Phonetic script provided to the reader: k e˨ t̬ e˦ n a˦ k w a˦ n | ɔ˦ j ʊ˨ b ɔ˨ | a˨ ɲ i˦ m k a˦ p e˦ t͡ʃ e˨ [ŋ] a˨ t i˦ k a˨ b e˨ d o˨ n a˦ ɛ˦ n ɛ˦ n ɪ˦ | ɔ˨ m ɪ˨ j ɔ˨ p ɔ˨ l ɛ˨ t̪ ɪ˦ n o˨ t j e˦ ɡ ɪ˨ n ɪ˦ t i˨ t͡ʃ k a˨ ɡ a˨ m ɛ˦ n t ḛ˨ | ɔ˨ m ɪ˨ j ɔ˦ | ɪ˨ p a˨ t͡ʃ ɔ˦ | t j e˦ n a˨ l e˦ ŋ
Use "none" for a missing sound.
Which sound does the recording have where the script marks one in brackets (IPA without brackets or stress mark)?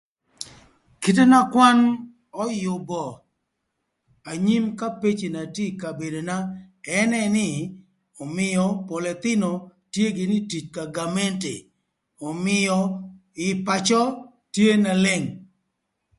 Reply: n